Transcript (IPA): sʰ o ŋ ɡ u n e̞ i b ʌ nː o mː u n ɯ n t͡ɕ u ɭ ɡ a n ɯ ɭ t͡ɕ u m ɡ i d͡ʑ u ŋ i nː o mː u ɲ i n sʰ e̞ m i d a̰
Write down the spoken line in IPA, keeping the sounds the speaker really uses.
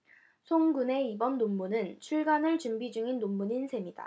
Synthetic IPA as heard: sʰ o ŋ ɡ u n e̞ i b ʌ nː o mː u n ɯ n t͡ɕʰ u ɭ ɡ a n ɯ ɭ t͡ɕ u m b i d͡ʑ u ŋ i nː o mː u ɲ i n sʰ e̞ m i d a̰